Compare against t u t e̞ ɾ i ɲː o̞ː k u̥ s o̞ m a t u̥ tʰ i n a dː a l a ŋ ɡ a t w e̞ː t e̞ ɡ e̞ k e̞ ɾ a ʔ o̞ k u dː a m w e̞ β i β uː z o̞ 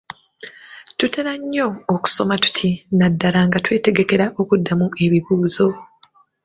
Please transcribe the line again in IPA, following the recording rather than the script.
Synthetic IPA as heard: t u t e̞ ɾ a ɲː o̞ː k u̥ s o̞ m a t u̥ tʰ i n a dː a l a ŋ ɡ a t w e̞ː t e̞ ɡ e̞ k e̞ ɾ a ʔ o̞ k u dː a m u e̞ β i β uː z o̞